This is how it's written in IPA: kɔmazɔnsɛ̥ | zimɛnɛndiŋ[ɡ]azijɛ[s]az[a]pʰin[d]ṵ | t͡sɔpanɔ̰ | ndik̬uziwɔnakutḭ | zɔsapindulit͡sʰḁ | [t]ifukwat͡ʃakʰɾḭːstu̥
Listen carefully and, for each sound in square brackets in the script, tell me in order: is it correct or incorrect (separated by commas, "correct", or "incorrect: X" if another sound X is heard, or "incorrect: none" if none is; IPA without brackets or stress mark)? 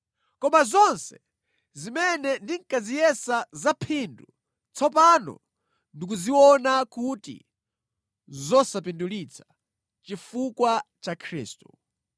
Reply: incorrect: k, correct, correct, correct, incorrect: t͡ʃ